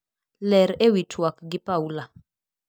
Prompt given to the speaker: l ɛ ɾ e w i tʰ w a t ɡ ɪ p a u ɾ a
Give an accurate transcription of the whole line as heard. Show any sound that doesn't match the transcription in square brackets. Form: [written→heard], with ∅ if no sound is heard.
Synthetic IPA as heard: l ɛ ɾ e w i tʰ w a [t→k] ɡ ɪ p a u [ɾ→l] a